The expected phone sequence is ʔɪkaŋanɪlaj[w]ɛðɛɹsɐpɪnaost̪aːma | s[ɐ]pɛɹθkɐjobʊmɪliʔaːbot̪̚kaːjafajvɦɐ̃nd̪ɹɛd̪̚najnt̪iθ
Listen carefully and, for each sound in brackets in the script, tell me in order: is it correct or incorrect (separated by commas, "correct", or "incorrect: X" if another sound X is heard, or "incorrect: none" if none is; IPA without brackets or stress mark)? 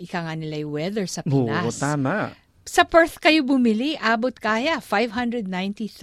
correct, correct